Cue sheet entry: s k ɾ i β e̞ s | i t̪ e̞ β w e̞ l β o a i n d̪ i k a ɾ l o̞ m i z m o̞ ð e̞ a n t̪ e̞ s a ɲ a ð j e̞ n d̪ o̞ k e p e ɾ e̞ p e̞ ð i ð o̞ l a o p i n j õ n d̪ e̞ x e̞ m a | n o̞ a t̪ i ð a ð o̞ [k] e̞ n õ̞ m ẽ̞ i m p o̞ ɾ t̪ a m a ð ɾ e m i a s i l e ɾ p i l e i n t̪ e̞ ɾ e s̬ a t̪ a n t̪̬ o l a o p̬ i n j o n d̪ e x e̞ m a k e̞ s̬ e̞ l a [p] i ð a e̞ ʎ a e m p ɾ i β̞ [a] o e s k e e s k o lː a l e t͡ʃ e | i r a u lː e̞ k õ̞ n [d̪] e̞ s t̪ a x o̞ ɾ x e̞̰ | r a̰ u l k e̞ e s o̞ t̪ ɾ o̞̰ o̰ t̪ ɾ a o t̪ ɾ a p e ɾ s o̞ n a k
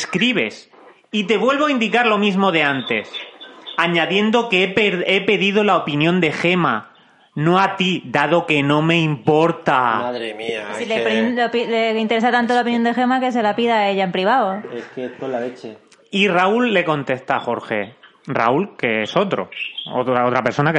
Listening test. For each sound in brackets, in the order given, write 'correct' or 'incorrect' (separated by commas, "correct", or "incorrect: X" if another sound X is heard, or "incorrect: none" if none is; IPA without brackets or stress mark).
correct, correct, correct, incorrect: t̪